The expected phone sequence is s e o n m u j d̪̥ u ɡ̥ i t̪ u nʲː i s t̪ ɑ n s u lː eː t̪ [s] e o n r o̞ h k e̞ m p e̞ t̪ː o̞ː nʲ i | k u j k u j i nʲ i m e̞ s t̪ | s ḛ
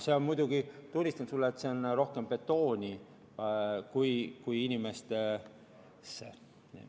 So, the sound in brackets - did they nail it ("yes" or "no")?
yes